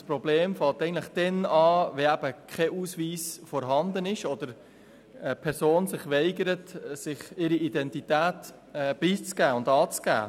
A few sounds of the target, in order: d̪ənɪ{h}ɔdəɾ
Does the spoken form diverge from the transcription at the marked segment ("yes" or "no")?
yes